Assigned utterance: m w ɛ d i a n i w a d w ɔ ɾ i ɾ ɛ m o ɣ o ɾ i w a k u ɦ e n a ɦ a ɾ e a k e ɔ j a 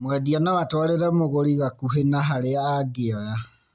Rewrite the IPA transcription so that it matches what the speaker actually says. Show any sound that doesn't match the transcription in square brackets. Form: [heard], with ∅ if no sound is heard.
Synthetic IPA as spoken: m w ɛ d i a n [a] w a [t] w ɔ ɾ [e] ɾ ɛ m o ɣ o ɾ i [ɣ] a k u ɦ e n a ɦ a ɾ e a [ɡ] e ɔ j a